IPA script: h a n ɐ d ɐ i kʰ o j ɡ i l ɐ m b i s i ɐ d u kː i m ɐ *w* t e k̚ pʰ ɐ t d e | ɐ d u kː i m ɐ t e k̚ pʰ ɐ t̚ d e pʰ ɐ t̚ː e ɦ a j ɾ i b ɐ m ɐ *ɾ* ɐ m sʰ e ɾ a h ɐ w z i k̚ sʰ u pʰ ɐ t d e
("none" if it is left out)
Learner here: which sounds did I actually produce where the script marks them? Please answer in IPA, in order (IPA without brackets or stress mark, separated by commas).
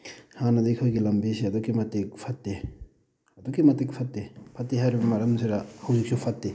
none, ɾ